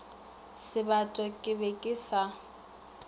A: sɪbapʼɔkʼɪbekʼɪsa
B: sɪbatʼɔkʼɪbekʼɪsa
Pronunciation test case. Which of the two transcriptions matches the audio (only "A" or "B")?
B